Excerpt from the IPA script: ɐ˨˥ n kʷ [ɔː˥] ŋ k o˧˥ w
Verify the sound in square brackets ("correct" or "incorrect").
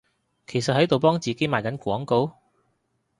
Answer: incorrect